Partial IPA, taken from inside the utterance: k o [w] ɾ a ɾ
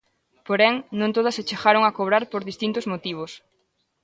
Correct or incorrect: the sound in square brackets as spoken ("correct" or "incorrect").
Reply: incorrect